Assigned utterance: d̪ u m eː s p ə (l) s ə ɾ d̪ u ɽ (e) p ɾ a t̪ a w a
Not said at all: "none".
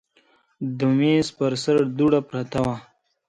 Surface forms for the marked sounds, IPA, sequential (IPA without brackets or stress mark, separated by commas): ɾ, a